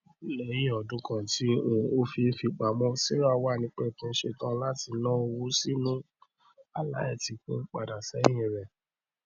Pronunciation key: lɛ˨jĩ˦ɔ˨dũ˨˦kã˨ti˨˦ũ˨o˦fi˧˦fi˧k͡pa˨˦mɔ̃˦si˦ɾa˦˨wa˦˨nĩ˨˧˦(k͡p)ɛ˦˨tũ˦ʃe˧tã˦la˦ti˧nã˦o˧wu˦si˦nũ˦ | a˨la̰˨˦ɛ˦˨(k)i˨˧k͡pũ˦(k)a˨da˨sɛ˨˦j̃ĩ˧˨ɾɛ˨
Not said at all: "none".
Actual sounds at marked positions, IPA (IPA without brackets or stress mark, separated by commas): k͡p, t, k͡p